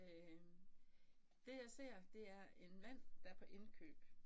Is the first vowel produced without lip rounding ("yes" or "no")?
yes